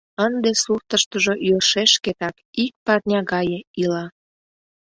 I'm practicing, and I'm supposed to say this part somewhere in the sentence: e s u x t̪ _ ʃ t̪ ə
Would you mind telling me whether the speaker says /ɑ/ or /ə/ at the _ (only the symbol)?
ə